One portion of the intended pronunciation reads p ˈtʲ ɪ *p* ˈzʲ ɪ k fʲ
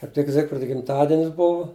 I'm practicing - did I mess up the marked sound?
yes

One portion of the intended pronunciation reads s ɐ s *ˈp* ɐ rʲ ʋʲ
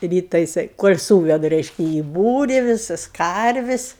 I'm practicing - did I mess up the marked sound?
yes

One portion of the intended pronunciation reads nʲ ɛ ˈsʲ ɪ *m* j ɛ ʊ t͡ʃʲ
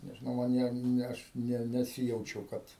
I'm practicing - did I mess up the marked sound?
yes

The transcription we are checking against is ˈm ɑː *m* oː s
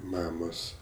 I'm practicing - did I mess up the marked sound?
no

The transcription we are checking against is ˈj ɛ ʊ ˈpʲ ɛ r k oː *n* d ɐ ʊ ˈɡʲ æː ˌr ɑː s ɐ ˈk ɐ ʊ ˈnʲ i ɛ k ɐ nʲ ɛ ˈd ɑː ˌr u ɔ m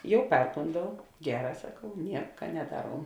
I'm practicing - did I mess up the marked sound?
no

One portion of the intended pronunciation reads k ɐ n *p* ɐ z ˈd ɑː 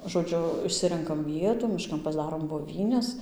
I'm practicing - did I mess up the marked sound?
no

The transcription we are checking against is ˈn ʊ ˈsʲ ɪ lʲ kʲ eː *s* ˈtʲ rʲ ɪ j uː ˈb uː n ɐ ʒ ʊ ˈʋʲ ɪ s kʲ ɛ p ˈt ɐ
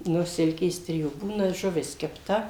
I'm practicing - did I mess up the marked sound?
no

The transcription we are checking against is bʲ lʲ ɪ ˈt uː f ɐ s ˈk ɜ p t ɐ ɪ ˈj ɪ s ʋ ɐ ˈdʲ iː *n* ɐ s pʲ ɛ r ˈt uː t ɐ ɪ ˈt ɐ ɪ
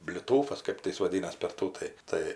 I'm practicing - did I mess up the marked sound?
no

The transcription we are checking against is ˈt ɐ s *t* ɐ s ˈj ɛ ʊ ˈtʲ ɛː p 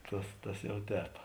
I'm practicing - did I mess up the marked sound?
no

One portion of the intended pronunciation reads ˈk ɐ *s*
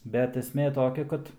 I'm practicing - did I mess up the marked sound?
yes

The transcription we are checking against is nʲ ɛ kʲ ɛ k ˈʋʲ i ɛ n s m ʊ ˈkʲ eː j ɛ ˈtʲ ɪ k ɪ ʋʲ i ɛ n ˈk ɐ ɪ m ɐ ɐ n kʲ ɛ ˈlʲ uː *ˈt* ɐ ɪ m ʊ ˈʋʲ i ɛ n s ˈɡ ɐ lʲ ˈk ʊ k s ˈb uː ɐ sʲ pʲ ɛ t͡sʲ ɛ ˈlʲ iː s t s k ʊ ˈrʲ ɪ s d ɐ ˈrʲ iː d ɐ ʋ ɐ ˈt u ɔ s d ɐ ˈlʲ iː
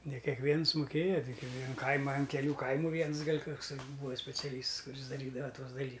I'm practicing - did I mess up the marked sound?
yes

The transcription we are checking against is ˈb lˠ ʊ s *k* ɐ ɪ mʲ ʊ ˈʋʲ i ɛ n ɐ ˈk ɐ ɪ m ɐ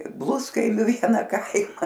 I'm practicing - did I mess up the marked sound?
no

